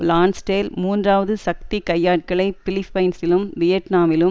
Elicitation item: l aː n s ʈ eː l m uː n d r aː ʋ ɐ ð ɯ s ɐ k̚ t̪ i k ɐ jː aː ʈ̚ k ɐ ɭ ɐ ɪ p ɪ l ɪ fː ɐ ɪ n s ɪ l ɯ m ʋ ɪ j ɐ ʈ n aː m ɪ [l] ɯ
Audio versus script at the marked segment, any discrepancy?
no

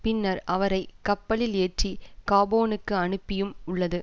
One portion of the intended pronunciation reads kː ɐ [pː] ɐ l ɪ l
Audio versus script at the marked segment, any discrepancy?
no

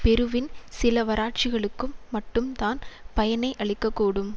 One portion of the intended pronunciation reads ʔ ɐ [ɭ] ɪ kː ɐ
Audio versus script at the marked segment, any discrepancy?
no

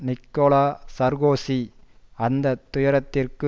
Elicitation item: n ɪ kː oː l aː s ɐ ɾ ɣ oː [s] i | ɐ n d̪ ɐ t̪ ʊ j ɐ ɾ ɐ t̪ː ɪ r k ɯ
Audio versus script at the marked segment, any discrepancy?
no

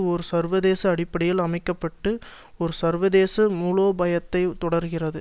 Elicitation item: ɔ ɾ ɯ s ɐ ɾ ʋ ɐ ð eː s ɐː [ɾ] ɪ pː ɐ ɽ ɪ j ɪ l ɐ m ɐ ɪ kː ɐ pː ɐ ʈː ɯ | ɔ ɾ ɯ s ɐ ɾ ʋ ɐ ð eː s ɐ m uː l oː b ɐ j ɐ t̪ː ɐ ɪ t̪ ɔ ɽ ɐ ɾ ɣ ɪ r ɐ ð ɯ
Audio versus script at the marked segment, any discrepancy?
yes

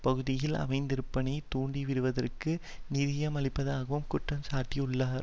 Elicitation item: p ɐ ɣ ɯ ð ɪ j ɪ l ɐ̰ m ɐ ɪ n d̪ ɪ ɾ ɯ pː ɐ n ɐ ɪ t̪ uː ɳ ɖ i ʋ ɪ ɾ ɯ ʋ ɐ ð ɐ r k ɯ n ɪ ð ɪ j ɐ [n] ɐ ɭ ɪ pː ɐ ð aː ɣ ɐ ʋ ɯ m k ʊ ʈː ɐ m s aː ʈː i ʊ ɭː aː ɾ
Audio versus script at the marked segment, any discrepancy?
yes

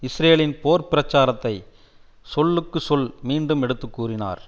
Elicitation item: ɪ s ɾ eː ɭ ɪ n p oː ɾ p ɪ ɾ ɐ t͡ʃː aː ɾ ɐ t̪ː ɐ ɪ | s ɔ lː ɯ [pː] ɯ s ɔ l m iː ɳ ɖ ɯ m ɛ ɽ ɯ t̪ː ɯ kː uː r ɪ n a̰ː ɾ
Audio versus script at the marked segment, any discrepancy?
yes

